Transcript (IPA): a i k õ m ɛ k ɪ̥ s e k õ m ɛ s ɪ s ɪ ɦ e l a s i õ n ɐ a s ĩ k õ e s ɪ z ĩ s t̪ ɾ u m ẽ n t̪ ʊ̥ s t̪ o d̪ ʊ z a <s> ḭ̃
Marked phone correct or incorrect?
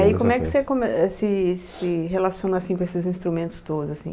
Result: correct